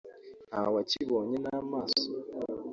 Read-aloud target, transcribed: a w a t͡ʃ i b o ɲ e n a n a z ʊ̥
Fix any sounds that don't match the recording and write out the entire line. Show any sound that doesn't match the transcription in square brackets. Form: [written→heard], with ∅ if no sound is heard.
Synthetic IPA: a w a t͡ʃ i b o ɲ e n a [n→m] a [z→s] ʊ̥